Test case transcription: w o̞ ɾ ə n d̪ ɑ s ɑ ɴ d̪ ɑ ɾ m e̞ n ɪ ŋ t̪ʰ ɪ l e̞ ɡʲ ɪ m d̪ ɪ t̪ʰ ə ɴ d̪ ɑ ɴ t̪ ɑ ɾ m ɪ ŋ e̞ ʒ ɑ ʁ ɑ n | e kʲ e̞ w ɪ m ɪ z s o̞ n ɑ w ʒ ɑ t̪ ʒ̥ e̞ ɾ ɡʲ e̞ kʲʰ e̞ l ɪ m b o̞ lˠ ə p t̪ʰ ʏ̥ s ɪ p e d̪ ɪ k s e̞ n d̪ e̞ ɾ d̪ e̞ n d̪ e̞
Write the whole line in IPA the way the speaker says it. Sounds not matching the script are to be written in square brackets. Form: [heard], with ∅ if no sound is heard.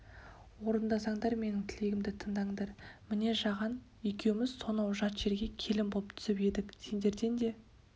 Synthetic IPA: w o̞ ɾ ə n d̪ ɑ s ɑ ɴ d̪ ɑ ɾ m e̞ n ɪ ŋ t̪ʰ ɪ l e̞ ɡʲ ɪ m d̪ ɪ t̪ʰ ə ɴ d̪ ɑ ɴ [d̪] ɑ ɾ m ɪ [n] e̞ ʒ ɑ ʁ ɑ n | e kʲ e̞ w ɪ m ɪ z s o̞ n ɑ w ʒ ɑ t̪ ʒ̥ e̞ ɾ ɡʲ e̞ kʲʰ e̞ l ɪ m b o̞ lˠ ə p t̪ʰ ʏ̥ s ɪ p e d̪ ɪ k s e̞ n d̪ e̞ ɾ d̪ e̞ n d̪ e̞

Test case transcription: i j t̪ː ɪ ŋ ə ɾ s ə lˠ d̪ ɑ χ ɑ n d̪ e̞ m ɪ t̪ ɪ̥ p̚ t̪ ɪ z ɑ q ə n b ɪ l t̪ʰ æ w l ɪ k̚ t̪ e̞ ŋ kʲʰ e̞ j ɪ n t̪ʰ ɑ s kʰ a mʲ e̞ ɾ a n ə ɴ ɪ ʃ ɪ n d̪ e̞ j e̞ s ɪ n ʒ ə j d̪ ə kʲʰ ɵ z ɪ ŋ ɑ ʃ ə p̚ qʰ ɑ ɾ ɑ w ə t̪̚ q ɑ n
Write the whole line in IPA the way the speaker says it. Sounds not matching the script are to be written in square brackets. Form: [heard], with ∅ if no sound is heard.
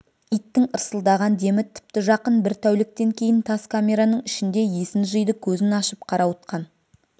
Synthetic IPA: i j t̪ː ɪ ŋ ə ɾ s ə lˠ d̪ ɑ [ʁ] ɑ n d̪ e̞ m ɪ [t̪ʰ] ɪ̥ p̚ t̪ ɪ [ʒ] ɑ q ə n b ɪ [ɾ] t̪ʰ æ w l ɪ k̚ t̪ e̞ ŋ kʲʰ e̞ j ɪ n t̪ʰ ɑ s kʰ a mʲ e̞ ɾ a n ə ɴ ɪ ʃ ɪ n d̪ e̞ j e̞ s ɪ n ʒ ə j d̪ ə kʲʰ ɵ z ɪ [n] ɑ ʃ ə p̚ qʰ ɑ ɾ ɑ w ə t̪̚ q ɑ n

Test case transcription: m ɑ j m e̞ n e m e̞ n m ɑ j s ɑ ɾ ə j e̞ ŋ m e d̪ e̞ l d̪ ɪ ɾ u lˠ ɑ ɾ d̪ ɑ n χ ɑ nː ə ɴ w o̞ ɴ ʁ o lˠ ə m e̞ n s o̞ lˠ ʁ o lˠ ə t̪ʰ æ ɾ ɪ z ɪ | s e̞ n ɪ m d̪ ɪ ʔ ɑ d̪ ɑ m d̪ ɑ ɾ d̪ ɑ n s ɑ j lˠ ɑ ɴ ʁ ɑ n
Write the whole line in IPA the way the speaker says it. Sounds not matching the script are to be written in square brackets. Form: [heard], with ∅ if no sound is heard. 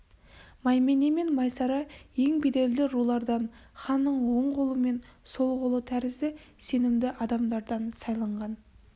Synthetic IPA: m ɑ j m e̞ n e m e̞ n m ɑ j s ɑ ɾ [ɑ] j e̞ ŋ [b] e d̪ e̞ l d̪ ɪ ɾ u lˠ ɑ ɾ d̪ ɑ n χ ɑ nː ə ɴ w o̞ ɴ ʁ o lˠ ə m e̞ n s o̞ lˠ ʁ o lˠ ə t̪ʰ æ ɾ ɪ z ɪ | s e̞ n ɪ m d̪ ɪ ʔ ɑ d̪ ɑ m d̪ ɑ ɾ d̪ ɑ n s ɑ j lˠ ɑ ɴ ʁ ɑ n

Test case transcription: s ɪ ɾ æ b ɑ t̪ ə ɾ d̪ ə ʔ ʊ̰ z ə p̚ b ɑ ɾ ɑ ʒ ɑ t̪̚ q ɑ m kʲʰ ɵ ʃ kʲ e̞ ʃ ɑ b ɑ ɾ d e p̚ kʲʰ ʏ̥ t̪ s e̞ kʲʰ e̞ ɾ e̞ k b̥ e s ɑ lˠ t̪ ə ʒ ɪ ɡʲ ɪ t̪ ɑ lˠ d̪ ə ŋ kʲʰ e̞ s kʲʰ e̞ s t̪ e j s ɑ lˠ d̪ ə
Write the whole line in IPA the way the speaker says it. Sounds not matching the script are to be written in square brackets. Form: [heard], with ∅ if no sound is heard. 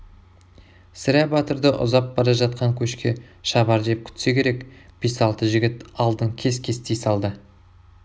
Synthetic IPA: s ɪ ɾ æ b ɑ t̪ ə ɾ d̪ ə ʔ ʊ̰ z [ɑ] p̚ b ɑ ɾ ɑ ʒ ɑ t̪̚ q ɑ [ŋ] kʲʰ ɵ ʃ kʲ e̞ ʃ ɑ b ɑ ɾ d e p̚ kʲʰ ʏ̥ t̪ s e̞ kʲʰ e̞ ɾ e̞ k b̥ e s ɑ lˠ t̪ ə ʒ ɪ ɡʲ ɪ t̪ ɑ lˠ d̪ ə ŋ kʲʰ e̞ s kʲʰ e̞ s t̪ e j s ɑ lˠ d̪ ə

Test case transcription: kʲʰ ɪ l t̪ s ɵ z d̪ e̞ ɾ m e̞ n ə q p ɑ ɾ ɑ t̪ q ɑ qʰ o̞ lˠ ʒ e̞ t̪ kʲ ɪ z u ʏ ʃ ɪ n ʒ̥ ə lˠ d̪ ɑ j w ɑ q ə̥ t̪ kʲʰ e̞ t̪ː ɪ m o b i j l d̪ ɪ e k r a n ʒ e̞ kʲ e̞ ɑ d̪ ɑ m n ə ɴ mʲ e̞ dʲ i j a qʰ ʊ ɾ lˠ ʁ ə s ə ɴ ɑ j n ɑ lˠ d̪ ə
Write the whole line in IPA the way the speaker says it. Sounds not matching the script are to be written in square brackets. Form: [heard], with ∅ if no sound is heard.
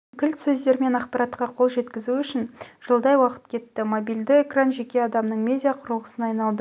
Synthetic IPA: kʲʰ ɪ l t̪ s ɵ z d̪ e̞ ɾ m e̞ n [ɑ] q p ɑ ɾ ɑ t̪ q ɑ qʰ o̞ lˠ ʒ e̞ t̪ kʲ ɪ z u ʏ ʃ ɪ n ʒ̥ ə lˠ d̪ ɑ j w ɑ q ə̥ t̪ kʲʰ e̞ t̪ː ɪ m o b i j l d̪ ɪ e k r a n ʒ e̞ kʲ e̞ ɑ d̪ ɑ m n ə ɴ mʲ e̞ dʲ i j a qʰ ʊ ɾ lˠ ʁ ə s ə [n] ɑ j n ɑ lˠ d̪ ə

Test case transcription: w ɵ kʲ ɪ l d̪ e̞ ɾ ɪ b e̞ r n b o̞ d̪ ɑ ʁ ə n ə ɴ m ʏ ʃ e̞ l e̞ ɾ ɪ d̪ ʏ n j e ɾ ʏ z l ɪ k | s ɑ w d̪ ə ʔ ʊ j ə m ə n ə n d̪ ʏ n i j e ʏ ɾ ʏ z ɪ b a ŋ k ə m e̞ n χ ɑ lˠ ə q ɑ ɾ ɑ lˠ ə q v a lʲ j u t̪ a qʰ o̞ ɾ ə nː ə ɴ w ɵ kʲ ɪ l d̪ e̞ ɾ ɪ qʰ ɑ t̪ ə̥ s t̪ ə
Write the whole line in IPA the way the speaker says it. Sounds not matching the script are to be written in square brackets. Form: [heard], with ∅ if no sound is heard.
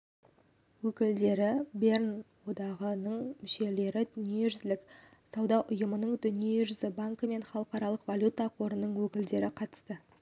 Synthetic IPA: w ɵ kʲ ɪ l d̪ e̞ ɾ ɪ b e̞ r n [w] o̞ d̪ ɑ ʁ ə n ə ɴ m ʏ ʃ e̞ l e̞ ɾ ɪ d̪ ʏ n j e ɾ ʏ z l ɪ k | s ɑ w d̪ [ɑ] ʔ ʊ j ə m ə n ə [ɴ] d̪ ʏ n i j e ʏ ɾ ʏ z ɪ b a ŋ k ə m e̞ n χ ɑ lˠ ə q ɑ ɾ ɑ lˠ ə q v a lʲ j u t̪ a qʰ o̞ ɾ ə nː ə ɴ w ɵ kʲ ɪ l d̪ e̞ ɾ ɪ qʰ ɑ t̪ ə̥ s t̪ ə

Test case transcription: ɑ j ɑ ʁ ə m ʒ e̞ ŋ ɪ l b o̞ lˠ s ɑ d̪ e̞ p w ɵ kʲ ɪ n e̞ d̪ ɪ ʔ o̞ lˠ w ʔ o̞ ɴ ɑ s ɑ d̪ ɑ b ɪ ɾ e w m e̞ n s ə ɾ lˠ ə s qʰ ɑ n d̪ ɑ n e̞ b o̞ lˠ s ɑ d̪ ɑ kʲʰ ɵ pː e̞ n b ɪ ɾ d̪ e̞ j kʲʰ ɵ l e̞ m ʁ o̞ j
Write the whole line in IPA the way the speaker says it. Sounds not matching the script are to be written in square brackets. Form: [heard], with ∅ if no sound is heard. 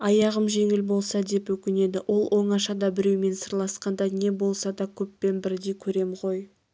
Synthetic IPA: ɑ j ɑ ʁ ə m ʒ e̞ ŋ ɪ l b o̞ lˠ s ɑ d̪ e̞ p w ɵ kʲ ɪ n e̞ d̪ ɪ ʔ o̞ lˠ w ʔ o̞ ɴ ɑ [ʃ] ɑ d̪ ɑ b ɪ ɾ e w m e̞ n s ə ɾ lˠ [ɑ] s [q] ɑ n d̪ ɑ n e̞ b o̞ lˠ s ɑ d̪ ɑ kʲʰ ɵ pː e̞ n b ɪ ɾ d̪ e̞ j kʲʰ ɵ [ɾ] e̞ m ʁ o̞ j

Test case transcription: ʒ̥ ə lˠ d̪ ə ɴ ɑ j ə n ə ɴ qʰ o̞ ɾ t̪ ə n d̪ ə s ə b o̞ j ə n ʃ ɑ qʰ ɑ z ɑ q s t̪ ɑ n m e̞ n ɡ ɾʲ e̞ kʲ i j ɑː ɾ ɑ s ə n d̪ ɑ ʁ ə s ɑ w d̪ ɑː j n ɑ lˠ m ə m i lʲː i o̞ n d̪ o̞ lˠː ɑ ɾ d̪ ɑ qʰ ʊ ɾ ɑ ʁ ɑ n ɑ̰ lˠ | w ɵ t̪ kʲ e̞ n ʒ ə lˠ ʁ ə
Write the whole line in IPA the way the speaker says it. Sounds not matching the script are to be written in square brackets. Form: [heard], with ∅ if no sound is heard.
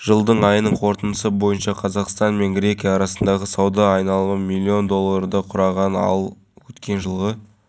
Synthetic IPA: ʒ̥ ə lˠ d̪ ə ɴ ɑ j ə n ə ɴ qʰ o̞ ɾ t̪ ə n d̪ ə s ə b o̞ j ə n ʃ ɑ qʰ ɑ z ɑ q s t̪ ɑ n m e̞ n ɡ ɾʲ e̞ kʲ i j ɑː ɾ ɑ s ə n d̪ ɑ ʁ ə s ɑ w d̪ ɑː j n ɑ lˠ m ə m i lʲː i o̞ n d̪ o̞ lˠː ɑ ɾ d̪ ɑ qʰ ʊ ɾ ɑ ʁ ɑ n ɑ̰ lˠ | w ɵ t̪ kʲ e̞ n ʒ ə lˠ ʁ ə

